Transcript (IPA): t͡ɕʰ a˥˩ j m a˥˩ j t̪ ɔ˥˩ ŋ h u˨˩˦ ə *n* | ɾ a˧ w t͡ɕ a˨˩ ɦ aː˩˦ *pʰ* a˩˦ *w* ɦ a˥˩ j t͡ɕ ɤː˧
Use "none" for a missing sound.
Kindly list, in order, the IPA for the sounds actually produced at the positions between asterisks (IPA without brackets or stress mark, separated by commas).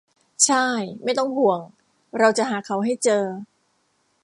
ŋ, kʰ, w